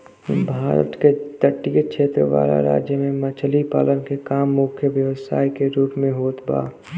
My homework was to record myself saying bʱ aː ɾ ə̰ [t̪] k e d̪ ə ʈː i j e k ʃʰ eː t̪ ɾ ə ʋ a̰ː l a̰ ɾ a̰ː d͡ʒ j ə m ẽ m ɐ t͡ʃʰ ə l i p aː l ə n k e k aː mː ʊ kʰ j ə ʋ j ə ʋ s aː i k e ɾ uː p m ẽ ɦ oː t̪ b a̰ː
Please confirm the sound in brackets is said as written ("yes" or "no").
yes